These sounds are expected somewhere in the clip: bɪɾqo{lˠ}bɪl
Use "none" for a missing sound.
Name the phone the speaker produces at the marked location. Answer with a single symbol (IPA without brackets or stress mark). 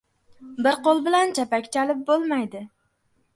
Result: lˠ